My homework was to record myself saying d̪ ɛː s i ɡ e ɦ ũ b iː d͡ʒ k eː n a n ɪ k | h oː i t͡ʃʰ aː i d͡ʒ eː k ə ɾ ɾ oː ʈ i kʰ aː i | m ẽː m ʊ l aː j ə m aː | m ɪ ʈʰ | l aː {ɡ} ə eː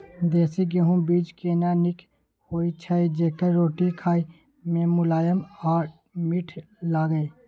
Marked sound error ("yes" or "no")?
no